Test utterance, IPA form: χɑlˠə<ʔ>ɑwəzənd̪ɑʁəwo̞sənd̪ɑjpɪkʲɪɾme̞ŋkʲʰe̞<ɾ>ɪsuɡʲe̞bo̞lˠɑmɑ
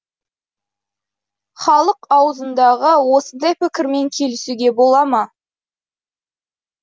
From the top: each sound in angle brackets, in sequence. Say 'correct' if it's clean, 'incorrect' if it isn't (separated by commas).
incorrect, incorrect